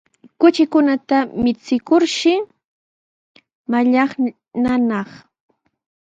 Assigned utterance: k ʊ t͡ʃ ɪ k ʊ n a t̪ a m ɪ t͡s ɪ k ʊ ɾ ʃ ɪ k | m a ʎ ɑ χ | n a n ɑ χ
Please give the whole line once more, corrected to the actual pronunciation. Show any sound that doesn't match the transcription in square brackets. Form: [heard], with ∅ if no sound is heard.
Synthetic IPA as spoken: k ʊ t͡ʃ ɪ k ʊ n a t̪ a m ɪ t͡s ɪ k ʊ ɾ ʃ ɪ [∅] | m a ʎ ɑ χ | n a n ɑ χ